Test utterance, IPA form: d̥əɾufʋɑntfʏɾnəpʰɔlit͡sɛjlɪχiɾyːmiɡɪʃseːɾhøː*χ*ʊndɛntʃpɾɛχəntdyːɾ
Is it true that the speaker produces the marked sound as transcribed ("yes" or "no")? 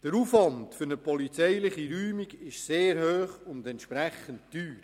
yes